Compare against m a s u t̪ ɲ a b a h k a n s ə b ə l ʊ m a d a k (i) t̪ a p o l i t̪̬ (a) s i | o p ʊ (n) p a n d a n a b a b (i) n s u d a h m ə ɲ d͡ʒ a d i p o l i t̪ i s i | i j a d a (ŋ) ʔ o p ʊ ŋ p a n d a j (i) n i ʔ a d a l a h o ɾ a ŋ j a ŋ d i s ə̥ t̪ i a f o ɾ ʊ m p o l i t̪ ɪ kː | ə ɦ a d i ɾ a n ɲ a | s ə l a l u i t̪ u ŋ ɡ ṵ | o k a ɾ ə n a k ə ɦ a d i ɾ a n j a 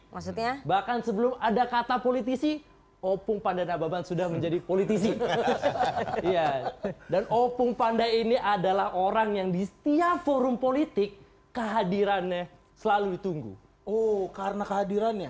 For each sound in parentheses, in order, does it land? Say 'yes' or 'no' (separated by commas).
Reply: no, no, no, no, no, yes